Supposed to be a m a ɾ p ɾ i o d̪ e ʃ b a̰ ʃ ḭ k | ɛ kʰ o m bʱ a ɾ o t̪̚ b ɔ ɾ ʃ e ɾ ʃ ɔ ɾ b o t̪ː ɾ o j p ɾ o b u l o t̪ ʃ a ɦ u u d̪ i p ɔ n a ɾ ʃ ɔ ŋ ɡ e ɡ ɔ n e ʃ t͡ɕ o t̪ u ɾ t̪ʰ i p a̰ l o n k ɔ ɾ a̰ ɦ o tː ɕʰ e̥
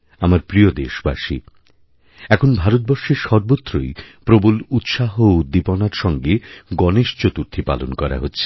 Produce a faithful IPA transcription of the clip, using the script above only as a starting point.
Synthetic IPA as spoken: a m a ɾ p ɾ i o d̪ e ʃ b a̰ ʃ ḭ | ɛ kʰ o n bʱ a ɾ o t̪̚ b ɔ ɾ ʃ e ɾ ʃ ɔ ɾ b o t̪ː ɾ o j p ɾ o b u l u t̪ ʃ a ɦ o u d̪ i p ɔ n a ɾ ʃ ɔ ŋ ɡ e ɡ ɔ n e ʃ t͡ɕ o t̪ u ɾ t̪ʰ i p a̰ l o n k ɔ ɾ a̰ ɦ o tː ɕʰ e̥